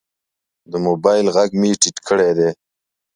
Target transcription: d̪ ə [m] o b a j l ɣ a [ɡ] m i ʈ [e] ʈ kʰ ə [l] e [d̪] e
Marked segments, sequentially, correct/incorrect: correct, correct, incorrect: i, incorrect: ɽ, correct

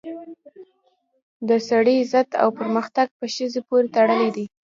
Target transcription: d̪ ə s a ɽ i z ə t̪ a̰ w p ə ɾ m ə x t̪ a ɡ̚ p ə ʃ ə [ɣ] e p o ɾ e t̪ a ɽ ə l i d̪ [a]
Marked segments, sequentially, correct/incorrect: incorrect: z, incorrect: i

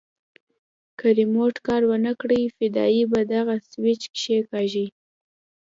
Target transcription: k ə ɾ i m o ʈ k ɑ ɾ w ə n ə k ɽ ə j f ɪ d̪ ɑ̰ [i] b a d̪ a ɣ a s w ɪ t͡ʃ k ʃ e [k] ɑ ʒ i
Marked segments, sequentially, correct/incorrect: correct, correct

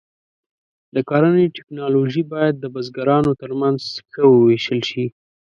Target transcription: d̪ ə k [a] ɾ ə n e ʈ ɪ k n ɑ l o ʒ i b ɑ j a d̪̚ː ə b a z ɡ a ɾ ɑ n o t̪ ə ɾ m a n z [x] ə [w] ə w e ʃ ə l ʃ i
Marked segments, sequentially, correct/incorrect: incorrect: ɑ, correct, correct

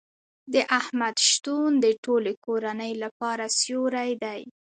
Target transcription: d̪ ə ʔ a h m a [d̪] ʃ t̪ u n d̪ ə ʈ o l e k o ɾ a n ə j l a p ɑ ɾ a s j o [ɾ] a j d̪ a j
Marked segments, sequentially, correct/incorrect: correct, correct

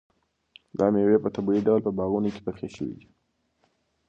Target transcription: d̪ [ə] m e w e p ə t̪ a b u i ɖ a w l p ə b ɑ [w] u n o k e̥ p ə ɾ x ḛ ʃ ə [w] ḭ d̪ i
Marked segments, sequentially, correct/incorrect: incorrect: ɑ, incorrect: ɣ, correct

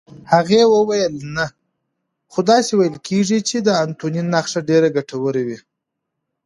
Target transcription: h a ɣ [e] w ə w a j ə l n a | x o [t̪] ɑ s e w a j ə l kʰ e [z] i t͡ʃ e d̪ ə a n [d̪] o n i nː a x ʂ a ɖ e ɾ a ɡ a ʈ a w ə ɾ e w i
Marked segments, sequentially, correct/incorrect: correct, incorrect: d̪, incorrect: ʐ, incorrect: t̪

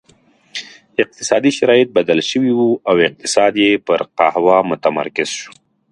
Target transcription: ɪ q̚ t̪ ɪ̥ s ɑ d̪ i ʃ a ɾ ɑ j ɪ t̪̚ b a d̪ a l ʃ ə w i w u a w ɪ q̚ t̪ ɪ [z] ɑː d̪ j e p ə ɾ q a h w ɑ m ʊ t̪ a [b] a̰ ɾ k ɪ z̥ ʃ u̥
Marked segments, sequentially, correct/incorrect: incorrect: s, incorrect: m

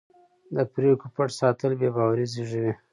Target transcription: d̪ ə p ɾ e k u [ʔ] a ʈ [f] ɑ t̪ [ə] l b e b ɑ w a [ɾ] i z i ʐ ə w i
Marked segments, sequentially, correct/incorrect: incorrect: p, incorrect: s, correct, correct

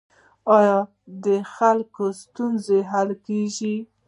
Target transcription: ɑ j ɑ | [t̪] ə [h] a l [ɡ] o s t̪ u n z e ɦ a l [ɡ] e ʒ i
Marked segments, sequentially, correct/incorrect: incorrect: d̪, incorrect: x, incorrect: k, incorrect: k

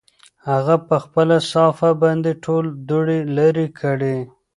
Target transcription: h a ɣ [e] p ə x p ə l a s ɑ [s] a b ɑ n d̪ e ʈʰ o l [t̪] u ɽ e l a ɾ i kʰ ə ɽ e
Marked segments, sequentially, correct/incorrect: incorrect: a, incorrect: f, incorrect: d̪

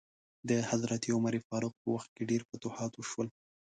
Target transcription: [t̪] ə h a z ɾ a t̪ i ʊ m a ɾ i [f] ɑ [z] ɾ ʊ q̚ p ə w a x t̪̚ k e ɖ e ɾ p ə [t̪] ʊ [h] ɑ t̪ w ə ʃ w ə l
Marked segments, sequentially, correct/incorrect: incorrect: d̪, correct, incorrect: none, correct, correct

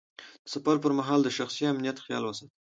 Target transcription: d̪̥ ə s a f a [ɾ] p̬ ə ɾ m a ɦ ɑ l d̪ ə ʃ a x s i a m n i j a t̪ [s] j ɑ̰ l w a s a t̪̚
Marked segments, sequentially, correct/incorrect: correct, incorrect: x

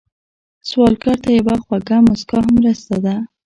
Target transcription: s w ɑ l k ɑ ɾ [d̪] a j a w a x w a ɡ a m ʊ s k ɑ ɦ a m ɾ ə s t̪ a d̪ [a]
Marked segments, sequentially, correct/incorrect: incorrect: t̪, correct

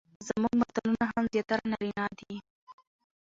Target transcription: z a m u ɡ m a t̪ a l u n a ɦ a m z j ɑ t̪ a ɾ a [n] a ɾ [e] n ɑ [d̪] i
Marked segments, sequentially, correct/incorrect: correct, incorrect: i, correct

